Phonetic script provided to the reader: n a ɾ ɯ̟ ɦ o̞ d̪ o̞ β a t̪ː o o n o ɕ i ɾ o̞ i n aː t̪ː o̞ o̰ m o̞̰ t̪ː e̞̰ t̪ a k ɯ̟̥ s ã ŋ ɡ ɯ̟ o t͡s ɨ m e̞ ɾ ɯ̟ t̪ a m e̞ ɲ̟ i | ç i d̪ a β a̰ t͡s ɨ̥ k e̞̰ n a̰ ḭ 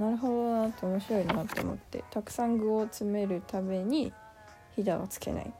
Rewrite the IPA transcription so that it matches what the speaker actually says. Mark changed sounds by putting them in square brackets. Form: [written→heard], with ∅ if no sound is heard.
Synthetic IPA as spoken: n a ɾ ɯ̟ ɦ o̞ d̪ o̞ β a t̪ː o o [n→m] o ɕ i ɾ o̞ i n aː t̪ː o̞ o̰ m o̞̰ t̪ː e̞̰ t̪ a k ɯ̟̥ s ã ŋ ɡ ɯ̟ o t͡s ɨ m e̞ ɾ ɯ̟ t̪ a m e̞ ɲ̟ i | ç i d̪ a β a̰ t͡s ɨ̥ k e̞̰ n a̰ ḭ